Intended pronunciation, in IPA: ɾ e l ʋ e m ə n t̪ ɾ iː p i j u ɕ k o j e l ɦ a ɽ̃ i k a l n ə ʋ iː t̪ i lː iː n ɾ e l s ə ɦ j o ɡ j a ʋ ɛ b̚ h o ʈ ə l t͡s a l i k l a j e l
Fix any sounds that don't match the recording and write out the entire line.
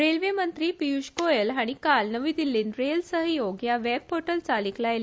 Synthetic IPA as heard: ɾ e l ʋ e m ə n t̪ ɾ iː p i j u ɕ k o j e l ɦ a ɽ̃ i k a l n ə ʋ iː d̪ i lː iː n ɾ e l s ə ɦ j o ɡ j a ʋ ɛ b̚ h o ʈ ə l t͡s a l i k l a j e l